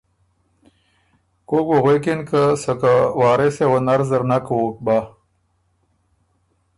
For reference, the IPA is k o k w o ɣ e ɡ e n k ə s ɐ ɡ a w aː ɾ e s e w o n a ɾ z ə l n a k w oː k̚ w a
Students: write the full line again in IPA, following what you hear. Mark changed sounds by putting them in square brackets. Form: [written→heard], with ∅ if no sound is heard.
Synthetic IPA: k o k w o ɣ e [ɡ→k] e n k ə s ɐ [ɡ→k] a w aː ɾ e s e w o n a ɾ z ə [l→ɾ] n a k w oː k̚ [w→b] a